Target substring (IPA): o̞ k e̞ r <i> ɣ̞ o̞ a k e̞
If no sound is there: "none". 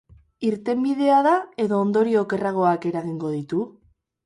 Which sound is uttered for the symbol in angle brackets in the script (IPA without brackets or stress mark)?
a